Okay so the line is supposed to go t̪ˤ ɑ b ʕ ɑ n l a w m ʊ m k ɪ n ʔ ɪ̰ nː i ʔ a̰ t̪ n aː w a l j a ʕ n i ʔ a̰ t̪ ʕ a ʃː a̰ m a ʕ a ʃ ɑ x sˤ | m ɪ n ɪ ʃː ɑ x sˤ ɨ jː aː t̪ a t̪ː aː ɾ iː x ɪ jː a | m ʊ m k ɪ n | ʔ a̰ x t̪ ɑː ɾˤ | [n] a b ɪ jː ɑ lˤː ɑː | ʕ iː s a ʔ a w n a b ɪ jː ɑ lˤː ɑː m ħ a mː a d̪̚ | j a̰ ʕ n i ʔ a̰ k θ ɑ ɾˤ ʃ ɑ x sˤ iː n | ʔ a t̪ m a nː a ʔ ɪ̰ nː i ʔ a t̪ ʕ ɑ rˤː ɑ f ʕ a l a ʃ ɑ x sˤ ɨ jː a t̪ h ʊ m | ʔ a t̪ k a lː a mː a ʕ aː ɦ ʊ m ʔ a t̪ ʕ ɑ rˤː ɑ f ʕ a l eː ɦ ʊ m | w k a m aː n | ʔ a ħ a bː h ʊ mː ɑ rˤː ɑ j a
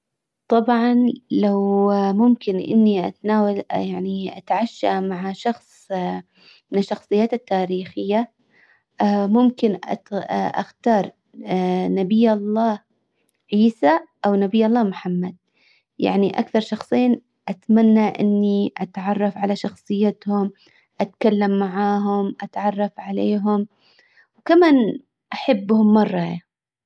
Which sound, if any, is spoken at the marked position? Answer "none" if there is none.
n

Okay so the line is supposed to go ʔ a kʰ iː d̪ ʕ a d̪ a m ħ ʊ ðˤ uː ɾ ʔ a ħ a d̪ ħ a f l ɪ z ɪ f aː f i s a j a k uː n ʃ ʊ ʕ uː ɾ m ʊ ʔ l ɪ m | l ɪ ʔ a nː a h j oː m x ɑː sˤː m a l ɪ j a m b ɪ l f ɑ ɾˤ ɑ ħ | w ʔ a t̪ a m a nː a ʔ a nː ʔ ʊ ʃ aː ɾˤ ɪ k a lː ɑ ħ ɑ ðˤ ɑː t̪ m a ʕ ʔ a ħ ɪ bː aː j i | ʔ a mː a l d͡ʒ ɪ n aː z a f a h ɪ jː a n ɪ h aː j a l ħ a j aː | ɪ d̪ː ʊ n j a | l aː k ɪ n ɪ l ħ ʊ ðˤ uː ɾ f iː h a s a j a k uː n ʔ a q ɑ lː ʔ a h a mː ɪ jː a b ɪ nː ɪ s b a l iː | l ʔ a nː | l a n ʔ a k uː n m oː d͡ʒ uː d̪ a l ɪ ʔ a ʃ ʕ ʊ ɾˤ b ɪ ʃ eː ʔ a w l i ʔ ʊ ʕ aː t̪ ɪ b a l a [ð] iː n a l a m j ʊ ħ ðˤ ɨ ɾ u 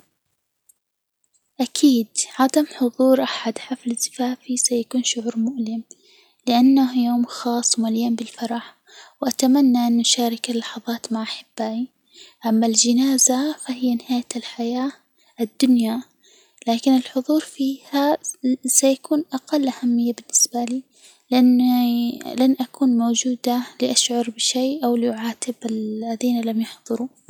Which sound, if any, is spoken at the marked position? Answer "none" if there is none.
ð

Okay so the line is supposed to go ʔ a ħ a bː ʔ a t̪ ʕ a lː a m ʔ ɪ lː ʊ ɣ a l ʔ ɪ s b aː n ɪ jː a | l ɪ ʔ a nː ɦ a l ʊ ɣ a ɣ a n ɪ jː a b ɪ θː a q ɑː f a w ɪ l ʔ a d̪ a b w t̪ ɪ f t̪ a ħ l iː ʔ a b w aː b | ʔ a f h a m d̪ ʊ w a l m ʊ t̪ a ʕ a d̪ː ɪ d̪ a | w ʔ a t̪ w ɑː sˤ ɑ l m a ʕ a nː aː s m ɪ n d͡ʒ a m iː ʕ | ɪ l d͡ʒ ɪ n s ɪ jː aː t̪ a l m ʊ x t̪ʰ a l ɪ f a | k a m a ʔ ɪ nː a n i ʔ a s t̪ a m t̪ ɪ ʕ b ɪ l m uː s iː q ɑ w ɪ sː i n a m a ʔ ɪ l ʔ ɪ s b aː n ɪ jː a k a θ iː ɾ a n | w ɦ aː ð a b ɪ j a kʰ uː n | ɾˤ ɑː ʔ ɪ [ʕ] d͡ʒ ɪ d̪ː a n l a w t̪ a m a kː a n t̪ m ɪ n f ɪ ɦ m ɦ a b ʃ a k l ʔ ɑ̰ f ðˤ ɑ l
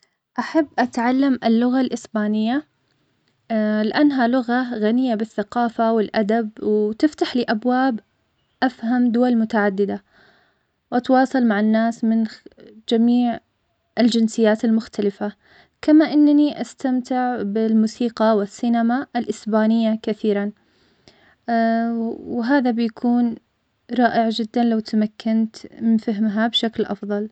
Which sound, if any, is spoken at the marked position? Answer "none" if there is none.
ʕ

